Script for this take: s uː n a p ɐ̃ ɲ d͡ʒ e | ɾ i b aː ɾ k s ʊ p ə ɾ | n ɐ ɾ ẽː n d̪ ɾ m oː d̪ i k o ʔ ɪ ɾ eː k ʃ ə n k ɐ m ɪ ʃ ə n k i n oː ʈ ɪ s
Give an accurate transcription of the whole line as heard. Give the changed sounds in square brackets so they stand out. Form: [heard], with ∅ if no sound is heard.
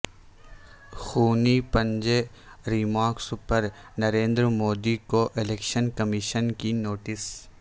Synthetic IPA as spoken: [x] uː n [i] p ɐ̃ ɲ d͡ʒ e | ɾ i [m] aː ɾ k s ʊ p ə ɾ | n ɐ ɾ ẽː n d̪ ɾ m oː d̪ i k o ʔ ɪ [l] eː k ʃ ə n k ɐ m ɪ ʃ ə n k i n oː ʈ ɪ s

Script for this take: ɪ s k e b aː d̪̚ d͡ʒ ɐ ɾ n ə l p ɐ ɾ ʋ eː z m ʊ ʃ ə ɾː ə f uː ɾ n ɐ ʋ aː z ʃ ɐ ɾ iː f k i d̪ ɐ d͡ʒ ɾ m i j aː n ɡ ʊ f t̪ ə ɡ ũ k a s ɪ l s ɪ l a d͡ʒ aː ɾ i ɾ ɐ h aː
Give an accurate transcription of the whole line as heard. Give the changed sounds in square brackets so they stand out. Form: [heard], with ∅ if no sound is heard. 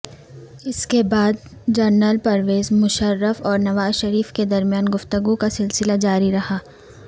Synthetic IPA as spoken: ɪ s k e b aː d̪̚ d͡ʒ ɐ ɾ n ə l p ɐ ɾ ʋ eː z m ʊ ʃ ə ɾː ə f [ɔː] ɾ n ɐ ʋ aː z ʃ ɐ ɾ iː f k [e] d̪ ɐ [∅] ɾ m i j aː n ɡ ʊ f t̪ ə ɡ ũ k a s ɪ l s ɪ l a d͡ʒ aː ɾ i ɾ ɐ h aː

